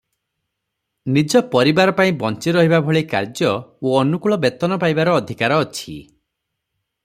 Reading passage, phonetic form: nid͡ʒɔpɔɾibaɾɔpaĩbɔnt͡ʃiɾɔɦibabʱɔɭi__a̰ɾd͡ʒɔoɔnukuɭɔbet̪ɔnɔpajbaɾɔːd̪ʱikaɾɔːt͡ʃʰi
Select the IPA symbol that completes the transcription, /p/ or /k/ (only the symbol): k